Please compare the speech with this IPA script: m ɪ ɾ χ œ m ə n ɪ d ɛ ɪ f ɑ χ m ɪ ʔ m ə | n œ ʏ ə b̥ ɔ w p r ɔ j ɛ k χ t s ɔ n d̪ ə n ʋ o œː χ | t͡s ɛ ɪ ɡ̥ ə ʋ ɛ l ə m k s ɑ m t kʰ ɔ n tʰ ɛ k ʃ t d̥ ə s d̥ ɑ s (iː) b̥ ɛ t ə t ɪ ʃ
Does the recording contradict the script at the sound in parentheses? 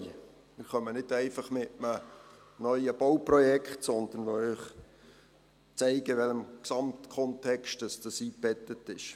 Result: no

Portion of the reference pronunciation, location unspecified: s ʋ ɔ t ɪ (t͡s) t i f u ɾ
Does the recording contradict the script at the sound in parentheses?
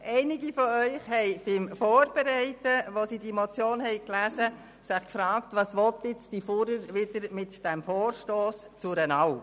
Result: no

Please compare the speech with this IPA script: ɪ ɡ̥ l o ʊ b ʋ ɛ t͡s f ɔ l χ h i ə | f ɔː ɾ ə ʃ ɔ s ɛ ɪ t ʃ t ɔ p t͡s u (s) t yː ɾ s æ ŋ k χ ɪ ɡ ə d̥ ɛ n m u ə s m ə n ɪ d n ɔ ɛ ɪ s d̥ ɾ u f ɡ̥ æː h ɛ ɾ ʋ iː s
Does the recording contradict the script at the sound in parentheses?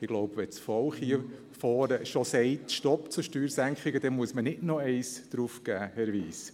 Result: yes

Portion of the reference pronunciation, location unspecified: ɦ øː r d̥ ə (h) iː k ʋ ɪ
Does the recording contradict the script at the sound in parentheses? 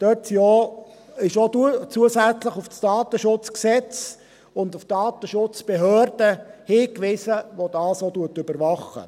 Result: no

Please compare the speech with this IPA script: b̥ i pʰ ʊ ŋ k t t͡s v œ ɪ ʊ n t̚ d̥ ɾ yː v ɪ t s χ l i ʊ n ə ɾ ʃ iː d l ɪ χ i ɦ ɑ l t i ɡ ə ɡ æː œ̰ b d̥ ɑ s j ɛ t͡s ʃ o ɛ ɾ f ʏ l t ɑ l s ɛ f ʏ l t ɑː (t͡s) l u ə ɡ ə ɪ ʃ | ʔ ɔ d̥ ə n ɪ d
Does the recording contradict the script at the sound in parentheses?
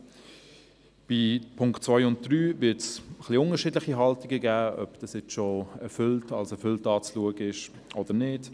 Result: no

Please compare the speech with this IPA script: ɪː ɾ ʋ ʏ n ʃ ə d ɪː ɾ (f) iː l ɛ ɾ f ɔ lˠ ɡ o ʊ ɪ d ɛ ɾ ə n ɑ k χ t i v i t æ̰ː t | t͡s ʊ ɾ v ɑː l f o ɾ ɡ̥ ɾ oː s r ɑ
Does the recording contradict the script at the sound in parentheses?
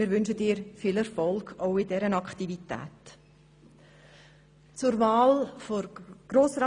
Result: no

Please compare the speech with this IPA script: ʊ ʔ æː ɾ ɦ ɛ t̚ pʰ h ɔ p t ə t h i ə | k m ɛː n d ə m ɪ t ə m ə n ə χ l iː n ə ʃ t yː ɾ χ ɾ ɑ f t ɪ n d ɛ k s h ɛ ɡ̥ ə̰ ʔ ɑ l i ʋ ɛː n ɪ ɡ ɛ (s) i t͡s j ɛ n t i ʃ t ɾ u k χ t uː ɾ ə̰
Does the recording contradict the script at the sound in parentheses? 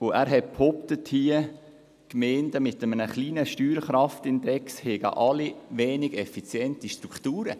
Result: yes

